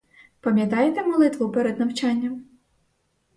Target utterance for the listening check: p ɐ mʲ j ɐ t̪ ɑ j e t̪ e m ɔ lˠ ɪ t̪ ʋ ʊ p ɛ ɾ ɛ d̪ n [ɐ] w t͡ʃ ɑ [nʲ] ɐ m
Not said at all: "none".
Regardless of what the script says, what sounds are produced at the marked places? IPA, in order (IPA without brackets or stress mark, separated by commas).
ɐ, nʲː